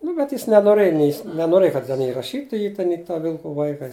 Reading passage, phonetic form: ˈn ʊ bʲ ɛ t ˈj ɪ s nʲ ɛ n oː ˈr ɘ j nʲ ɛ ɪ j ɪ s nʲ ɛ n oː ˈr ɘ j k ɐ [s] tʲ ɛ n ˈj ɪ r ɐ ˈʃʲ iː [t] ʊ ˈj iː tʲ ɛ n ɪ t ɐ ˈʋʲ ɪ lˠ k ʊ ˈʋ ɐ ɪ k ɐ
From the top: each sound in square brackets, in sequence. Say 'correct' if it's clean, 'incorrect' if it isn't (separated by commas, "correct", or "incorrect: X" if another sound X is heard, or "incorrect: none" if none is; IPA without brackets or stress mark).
incorrect: t, correct